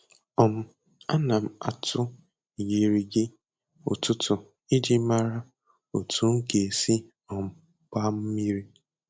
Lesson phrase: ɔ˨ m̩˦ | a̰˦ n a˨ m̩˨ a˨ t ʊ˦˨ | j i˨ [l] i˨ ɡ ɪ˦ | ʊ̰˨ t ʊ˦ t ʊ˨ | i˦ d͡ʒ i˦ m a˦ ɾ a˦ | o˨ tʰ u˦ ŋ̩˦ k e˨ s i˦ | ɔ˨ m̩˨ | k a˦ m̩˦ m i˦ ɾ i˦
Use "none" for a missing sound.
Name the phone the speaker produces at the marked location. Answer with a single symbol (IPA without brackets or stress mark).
ɾ